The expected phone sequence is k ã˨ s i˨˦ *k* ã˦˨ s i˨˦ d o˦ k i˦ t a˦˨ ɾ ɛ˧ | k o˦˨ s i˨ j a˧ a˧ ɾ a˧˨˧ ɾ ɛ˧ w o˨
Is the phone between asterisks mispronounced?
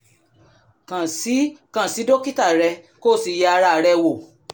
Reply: no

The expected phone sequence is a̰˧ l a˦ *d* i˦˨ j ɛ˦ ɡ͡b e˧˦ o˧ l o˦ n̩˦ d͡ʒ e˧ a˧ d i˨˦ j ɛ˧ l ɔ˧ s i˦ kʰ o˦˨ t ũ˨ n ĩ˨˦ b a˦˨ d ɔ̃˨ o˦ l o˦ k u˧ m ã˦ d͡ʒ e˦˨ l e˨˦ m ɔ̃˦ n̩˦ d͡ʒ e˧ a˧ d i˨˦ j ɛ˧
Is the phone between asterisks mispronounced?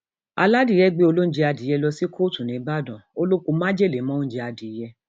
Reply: no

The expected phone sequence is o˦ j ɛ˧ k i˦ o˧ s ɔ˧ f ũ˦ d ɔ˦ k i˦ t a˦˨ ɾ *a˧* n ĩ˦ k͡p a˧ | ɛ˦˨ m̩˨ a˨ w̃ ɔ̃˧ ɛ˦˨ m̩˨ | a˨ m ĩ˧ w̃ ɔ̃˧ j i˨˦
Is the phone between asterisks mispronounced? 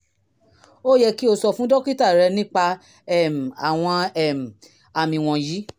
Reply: yes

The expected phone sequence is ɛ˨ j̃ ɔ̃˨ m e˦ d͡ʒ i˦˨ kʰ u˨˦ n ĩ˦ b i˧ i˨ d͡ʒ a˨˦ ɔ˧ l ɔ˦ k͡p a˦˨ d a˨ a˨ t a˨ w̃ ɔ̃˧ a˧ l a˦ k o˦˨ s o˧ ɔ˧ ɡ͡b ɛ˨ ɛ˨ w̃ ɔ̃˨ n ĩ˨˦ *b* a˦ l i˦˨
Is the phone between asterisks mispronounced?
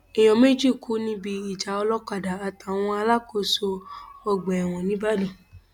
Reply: no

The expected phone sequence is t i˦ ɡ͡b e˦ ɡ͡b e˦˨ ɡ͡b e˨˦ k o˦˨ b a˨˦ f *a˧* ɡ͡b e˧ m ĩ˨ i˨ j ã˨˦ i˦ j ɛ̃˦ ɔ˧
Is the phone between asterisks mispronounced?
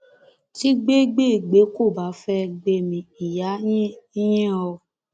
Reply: yes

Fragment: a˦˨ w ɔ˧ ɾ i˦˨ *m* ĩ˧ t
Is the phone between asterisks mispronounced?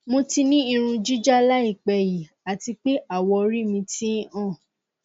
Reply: no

